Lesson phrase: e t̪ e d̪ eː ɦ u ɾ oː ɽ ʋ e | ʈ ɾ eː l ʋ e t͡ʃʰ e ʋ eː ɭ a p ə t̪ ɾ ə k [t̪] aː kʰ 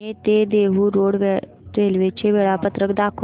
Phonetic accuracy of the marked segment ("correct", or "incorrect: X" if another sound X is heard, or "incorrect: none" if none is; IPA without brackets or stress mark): incorrect: d̪